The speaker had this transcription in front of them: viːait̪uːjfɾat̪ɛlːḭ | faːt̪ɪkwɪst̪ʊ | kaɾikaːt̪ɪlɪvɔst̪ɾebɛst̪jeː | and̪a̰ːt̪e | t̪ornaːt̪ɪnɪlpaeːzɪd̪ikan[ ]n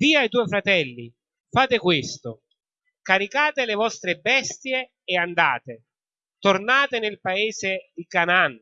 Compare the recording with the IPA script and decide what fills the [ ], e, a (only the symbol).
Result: a